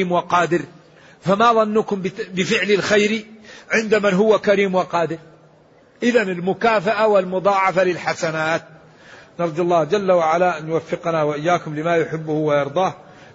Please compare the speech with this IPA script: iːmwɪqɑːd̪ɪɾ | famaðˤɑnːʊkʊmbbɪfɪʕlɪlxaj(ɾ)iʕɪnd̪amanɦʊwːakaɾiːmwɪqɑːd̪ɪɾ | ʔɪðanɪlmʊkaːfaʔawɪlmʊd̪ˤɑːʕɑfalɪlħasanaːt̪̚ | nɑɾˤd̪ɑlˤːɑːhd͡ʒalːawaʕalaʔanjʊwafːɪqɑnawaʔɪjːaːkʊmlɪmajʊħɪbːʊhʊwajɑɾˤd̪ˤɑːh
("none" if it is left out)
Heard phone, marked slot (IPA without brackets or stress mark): ɾ